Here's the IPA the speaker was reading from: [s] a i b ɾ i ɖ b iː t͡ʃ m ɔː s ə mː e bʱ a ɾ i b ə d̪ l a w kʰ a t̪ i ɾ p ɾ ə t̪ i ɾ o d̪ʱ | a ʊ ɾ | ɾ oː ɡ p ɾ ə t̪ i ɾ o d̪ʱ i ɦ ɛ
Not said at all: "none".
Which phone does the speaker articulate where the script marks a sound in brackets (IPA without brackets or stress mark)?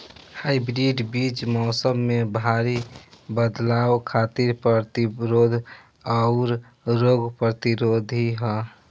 h